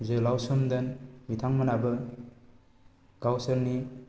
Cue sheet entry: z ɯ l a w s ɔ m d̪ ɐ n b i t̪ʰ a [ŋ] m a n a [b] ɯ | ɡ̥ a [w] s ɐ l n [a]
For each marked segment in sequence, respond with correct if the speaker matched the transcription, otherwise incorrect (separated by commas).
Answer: correct, correct, correct, incorrect